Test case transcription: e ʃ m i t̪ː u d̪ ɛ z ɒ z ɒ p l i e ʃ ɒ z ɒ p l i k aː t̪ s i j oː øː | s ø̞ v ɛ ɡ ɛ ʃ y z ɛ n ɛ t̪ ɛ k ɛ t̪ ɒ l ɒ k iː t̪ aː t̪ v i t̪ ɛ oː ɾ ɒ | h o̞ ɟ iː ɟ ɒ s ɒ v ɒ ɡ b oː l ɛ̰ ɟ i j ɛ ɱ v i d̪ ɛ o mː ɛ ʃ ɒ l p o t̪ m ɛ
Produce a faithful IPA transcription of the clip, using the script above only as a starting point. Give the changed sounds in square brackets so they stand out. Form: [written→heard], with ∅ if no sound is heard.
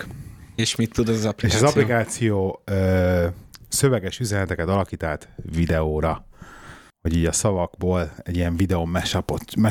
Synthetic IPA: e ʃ m i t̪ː u d̪ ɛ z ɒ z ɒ p l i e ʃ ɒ z ɒ p l i k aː t̪ s i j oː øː | s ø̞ v ɛ ɡ ɛ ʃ y z ɛ n ɛ t̪ ɛ k ɛ t̪ ɒ l ɒ k iː t̪ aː t̪ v i [t̪→d̪] ɛ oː ɾ ɒ | h o̞ ɟ iː ɟ ɒ s ɒ v ɒ ɡ b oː l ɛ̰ ɟ i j ɛ ɱ v i d̪ ɛ o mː ɛ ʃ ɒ [l→∅] p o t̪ m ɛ